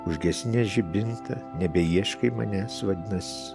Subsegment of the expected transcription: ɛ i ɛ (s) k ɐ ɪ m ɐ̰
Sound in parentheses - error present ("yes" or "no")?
yes